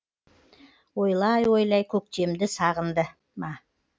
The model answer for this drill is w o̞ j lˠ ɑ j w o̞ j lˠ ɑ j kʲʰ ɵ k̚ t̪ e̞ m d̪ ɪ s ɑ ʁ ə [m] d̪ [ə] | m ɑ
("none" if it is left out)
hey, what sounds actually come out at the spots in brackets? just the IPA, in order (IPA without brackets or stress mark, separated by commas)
n, ə